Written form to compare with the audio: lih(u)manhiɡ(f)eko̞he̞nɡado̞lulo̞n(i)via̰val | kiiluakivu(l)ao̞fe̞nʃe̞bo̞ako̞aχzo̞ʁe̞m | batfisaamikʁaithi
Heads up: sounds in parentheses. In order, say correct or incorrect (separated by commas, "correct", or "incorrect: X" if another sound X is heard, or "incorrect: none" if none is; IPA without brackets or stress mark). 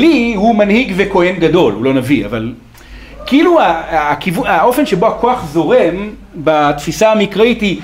correct, incorrect: v, incorrect: a, incorrect: none